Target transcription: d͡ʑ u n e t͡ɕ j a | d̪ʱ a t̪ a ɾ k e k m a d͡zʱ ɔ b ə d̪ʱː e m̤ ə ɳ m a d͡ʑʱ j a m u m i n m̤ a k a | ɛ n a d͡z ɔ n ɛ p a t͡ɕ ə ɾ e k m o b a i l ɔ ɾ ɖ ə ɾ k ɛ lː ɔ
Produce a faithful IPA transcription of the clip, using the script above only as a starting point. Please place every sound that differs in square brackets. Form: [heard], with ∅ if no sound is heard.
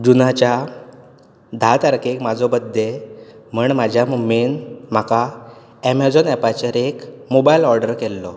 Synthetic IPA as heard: d͡ʑ u n [a] t͡ɕ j a | d̪ʱ a t̪ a ɾ k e k m a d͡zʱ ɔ b ə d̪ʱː e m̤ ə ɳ m a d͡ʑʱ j a m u m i n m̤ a k a | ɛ [m] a d͡z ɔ n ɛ p a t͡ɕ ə ɾ e k m o b a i l ɔ ɾ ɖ ə ɾ k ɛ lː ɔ